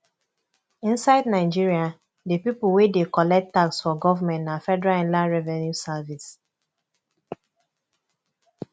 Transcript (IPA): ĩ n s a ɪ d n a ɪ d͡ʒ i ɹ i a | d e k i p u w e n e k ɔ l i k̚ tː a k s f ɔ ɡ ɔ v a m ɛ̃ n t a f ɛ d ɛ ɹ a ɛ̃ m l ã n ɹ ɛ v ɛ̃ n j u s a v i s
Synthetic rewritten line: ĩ n s a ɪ d n a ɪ d͡ʒ i ɹ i a | d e p i p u w e d e k ɔ l ɛ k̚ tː a k s f ɔ ɡ ɔ v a m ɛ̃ n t a f ɛ d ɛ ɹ a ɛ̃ n l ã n ɹ ɛ v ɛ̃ n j u s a v i s